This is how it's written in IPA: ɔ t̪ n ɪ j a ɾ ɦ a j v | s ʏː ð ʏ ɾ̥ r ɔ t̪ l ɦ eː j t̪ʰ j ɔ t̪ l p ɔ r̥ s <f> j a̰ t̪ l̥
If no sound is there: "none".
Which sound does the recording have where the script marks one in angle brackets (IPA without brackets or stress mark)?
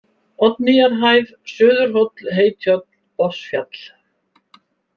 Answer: f